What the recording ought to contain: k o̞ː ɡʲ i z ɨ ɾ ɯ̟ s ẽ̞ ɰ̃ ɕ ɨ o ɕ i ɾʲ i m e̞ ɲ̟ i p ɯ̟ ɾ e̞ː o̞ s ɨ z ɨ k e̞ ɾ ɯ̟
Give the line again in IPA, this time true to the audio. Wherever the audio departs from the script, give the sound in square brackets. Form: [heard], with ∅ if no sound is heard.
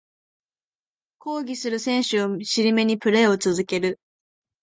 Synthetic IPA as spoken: k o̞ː ɡʲ i [s] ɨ ɾ ɯ̟ s ẽ̞ ɰ̃ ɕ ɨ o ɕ i ɾʲ i m e̞ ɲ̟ i p ɯ̟ ɾ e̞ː o̞ [t͡s] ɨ z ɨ k e̞ ɾ ɯ̟